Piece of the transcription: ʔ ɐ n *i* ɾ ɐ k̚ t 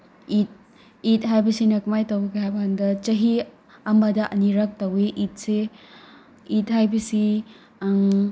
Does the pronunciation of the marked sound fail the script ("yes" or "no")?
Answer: no